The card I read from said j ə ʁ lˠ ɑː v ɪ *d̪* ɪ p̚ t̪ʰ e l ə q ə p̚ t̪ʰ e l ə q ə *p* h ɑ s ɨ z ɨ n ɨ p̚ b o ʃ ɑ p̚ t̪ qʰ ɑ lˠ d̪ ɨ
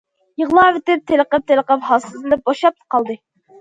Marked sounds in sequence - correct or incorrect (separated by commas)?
incorrect, correct